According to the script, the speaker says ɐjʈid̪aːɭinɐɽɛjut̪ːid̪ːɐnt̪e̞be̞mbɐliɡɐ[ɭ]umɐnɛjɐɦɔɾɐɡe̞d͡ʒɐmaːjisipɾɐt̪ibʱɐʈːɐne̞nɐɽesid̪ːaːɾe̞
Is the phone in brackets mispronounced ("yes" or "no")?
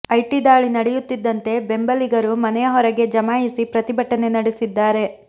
yes